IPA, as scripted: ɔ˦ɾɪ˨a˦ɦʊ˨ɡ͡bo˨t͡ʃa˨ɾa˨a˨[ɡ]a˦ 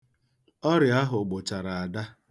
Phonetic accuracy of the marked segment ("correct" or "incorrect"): incorrect